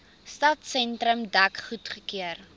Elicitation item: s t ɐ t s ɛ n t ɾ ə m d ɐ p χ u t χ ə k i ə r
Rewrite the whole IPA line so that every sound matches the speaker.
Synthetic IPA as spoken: s t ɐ t s ɛ n t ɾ ə m d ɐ k χ u t χ ə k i ə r